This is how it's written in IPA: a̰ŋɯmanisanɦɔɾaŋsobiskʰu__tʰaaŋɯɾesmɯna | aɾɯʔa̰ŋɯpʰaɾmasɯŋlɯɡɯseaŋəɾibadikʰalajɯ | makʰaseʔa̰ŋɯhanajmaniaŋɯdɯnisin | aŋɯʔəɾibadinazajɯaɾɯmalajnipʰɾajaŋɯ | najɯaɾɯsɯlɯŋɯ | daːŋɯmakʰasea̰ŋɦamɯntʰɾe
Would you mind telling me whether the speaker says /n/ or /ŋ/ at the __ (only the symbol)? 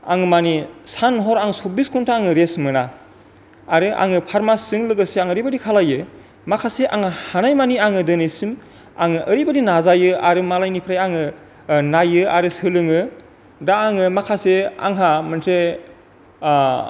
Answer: n